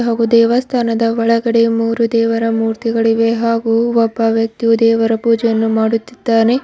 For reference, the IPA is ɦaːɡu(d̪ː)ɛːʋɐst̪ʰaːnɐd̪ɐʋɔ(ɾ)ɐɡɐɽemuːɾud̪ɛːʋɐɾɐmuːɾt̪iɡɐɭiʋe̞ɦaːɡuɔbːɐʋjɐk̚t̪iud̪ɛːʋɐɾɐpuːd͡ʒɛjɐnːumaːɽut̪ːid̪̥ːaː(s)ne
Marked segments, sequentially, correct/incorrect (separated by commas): incorrect, incorrect, incorrect